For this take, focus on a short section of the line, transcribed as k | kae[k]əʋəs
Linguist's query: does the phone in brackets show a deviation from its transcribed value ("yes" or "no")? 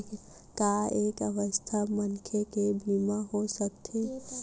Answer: no